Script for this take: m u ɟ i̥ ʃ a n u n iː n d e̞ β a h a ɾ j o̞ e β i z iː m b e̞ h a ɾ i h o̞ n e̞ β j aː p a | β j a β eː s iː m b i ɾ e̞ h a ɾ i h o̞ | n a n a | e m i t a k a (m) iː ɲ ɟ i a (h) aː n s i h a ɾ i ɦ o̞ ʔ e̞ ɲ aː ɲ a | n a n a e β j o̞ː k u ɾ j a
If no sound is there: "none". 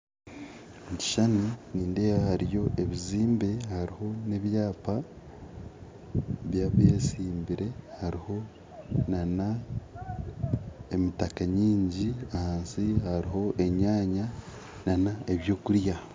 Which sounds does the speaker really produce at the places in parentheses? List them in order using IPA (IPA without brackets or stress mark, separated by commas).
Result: ɲ, h